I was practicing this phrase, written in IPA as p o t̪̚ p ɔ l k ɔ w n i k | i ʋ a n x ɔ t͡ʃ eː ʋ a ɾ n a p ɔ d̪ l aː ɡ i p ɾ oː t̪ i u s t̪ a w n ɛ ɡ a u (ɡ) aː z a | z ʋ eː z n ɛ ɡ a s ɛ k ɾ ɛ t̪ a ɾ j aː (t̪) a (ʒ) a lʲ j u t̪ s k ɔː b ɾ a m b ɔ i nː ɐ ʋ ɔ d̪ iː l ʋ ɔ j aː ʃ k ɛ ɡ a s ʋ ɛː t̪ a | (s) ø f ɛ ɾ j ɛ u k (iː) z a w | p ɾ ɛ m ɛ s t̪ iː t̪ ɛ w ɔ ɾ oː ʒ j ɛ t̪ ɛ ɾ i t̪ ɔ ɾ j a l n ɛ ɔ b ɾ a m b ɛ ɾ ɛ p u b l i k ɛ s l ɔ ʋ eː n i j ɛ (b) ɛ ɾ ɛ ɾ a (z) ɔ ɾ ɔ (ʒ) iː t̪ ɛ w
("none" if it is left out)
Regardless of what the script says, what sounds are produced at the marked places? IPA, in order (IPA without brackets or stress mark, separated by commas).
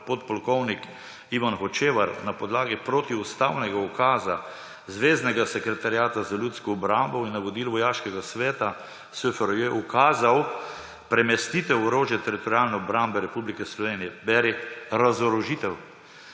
k, t̪, z, s, aː, b, z, ʒ